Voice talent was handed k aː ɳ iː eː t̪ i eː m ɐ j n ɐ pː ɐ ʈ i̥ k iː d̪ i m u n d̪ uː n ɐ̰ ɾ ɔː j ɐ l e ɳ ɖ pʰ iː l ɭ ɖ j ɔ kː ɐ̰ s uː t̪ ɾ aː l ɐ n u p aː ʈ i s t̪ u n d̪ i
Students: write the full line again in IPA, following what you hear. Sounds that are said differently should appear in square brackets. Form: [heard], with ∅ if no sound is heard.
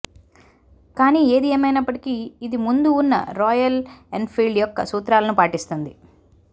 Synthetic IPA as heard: k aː [n] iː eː [d̪] i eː m ɐ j n ɐ pː ɐ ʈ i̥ k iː d̪ i m u n d̪ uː [nː] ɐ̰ ɾ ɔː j ɐ l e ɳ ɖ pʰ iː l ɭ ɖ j ɔ kː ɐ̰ s uː t̪ ɾ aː l ɐ n u p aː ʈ i s t̪ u n d̪ i